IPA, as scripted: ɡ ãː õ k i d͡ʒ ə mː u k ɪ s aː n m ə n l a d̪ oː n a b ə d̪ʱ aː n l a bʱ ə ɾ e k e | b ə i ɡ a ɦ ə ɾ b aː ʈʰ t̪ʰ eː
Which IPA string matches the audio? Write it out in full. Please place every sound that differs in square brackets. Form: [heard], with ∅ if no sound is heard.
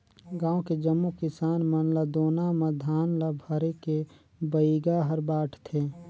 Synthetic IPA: ɡ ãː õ k [e] d͡ʒ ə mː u k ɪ s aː n m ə n l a d̪ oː n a [m] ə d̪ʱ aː n l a bʱ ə ɾ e k e | b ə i ɡ a ɦ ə ɾ b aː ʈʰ t̪ʰ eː